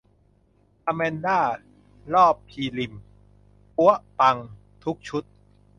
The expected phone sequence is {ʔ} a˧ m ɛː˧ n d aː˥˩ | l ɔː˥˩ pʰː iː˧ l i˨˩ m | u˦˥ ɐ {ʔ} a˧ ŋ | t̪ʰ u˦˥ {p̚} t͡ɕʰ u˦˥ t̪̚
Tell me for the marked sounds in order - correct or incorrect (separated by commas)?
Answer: correct, incorrect, incorrect